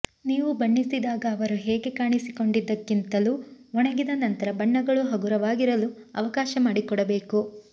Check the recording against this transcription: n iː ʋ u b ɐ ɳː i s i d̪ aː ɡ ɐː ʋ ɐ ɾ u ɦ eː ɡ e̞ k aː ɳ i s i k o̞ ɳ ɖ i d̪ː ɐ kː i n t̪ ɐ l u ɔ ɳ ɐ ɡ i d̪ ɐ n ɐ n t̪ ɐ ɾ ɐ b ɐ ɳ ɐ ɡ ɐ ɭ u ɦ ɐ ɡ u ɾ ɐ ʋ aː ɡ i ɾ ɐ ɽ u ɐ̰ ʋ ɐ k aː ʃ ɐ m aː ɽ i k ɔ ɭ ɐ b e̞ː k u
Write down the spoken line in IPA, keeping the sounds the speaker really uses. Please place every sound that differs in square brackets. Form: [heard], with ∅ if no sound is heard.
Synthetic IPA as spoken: n iː ʋ u b ɐ ɳː i s i d̪ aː ɡ ɐː ʋ ɐ ɾ u ɦ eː ɡ e̞ k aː ɳ i s i k o̞ ɳ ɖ i d̪ː ɐ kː i n t̪ ɐ l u ɔ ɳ ɐ ɡ i d̪ ɐ n ɐ n t̪ ɐ ɾ ɐ b ɐ [ɳː] ɐ ɡ ɐ ɭ u ɦ ɐ ɡ u ɾ ɐ ʋ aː ɡ i ɾ ɐ [l] u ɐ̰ ʋ ɐ k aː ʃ ɐ m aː ɽ i k ɔ [ɽ] ɐ b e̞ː k u